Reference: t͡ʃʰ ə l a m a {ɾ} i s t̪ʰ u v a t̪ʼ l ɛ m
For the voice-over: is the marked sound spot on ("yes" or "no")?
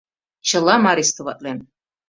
yes